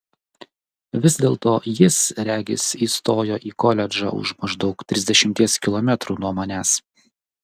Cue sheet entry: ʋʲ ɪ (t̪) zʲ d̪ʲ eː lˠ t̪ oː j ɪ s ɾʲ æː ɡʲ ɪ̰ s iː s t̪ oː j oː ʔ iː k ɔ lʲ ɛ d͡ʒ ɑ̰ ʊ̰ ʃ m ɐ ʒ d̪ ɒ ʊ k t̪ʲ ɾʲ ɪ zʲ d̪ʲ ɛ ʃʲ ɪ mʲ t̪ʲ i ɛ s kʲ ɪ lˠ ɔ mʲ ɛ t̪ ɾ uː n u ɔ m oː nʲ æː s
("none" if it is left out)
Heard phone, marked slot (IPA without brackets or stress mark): none